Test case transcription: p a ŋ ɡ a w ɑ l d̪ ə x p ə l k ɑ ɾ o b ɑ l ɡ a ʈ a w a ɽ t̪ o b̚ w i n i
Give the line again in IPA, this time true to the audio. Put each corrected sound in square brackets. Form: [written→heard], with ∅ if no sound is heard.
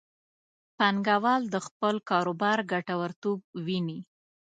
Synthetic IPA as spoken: p a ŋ ɡ a w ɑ l d̪ ə x p ə l k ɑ ɾ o b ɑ [l→ɾ] ɡ a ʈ a w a [ɽ→ɾ] t̪ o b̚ w i n i